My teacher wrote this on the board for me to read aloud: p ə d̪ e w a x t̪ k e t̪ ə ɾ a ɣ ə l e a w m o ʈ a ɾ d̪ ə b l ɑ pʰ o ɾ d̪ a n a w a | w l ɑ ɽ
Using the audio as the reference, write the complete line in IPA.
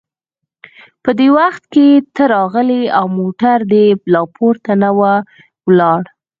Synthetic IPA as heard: p ə d̪ e w a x t̪ k e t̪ ə ɾ ɑ ɣ ə l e a w m o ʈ a ɾ d̪ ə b l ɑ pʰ o ɾ t̪ a n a w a | w l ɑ ɽ